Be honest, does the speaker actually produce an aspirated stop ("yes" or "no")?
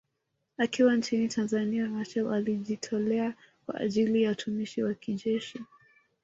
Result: yes